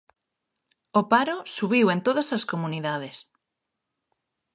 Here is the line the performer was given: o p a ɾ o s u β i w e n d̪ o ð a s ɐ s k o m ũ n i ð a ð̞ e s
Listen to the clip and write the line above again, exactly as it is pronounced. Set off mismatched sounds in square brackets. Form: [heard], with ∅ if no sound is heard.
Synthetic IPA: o p a ɾ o s u β i w e n [t̪] o ð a s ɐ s k o m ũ n i ð a ð̞ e s

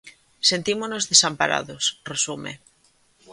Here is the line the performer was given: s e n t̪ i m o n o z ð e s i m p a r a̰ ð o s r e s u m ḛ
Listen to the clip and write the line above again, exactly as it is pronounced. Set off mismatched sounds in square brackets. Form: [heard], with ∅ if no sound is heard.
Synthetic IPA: s e n t̪ i m o n o z ð e s [a] m p a [ɾ] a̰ ð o s r e s u m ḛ

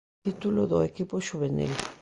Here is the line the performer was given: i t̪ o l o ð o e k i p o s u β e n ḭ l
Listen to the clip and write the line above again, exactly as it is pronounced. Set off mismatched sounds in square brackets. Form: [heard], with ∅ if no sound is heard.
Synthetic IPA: i t̪ [u] l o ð o e k i p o [ʃ] u β e n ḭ l

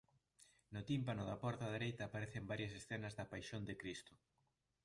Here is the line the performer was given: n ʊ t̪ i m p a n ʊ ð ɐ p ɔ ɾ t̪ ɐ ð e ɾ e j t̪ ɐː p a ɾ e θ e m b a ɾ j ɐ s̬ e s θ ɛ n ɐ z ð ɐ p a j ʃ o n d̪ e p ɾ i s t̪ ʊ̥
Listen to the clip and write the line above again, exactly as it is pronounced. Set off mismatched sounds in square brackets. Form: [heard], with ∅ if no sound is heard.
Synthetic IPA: n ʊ t̪ i m p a n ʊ ð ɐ p ɔ ɾ t̪ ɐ ð e ɾ e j t̪ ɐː p a ɾ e θ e m b a ɾ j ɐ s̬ e s θ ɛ n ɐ z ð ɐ p a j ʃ o n d̪ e [k] ɾ i s t̪ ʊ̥

